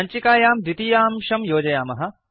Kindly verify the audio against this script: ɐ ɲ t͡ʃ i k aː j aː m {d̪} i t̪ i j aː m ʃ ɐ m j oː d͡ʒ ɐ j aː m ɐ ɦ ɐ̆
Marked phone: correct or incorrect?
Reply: correct